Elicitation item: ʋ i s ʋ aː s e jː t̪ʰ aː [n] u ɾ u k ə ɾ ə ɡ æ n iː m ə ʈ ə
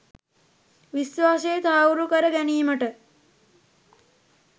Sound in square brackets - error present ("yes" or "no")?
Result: yes